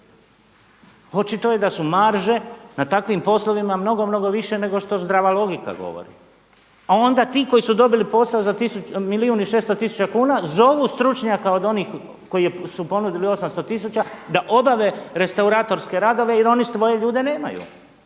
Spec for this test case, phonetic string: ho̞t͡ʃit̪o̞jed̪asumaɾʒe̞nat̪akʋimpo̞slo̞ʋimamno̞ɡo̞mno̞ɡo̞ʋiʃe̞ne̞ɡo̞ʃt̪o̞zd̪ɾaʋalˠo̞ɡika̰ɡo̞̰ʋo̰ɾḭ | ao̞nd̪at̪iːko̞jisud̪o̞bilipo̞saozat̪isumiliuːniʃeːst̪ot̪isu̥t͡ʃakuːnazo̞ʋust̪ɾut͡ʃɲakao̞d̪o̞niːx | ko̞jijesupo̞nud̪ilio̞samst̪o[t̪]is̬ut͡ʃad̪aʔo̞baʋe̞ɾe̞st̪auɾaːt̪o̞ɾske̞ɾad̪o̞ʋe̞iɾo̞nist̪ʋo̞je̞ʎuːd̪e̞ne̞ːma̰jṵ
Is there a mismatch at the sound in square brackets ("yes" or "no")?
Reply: no